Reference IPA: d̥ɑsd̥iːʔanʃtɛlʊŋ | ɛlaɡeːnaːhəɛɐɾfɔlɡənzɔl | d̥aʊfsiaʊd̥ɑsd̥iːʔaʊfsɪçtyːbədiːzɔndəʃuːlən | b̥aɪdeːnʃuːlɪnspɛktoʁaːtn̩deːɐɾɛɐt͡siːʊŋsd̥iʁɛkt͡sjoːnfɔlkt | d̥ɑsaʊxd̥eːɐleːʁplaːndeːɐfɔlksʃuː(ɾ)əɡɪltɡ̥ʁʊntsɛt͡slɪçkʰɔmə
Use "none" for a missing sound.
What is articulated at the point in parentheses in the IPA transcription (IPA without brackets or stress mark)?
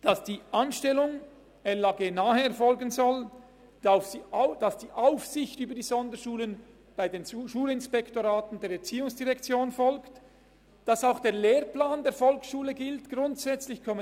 l